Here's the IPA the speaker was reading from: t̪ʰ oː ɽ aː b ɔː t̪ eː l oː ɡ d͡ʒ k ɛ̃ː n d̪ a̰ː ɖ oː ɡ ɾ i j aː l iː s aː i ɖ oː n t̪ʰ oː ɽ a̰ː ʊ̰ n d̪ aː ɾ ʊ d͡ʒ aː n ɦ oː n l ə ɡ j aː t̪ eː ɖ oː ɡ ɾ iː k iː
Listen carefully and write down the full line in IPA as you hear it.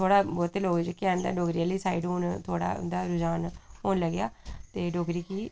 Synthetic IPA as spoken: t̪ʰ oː ɽ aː b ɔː t̪ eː l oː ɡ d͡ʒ k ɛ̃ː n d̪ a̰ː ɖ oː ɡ ɾ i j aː l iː s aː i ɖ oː n t̪ʰ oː ɽ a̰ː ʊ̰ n d̪ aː ɾ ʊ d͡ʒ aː n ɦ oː n l ə ɡ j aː t̪ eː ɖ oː ɡ ɾ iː k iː